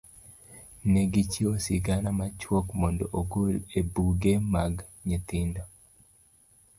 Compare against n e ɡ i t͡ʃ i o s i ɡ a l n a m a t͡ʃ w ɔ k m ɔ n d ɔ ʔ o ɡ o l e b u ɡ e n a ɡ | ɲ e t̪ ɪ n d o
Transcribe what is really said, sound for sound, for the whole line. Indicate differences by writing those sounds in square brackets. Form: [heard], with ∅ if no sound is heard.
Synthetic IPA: n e ɡ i t͡ʃ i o s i ɡ a [∅] n a m a t͡ʃ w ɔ k m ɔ n d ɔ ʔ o ɡ o l e b u ɡ e [m] a ɡ | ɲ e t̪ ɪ n d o